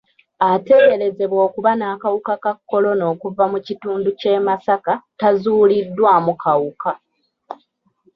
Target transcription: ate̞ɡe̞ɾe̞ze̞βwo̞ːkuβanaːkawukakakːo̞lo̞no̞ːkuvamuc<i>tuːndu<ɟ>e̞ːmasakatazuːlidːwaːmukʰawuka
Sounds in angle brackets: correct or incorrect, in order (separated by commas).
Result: correct, incorrect